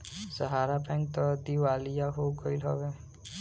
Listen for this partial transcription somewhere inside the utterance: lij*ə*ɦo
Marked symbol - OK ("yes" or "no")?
no